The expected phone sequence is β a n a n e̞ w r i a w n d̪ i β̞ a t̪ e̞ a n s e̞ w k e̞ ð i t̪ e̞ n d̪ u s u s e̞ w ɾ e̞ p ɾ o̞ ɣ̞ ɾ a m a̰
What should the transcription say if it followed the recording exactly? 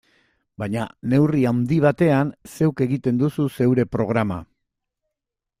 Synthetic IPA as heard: b a ɲ a n e̞ w r i a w n d̪ i β̞ a t̪ e̞ a n s e̞ w k e̞ ɣ i t̪ e̞ n d̪ u s u s e̞ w ɾ e̞ p ɾ o̞ ɣ̞ ɾ a m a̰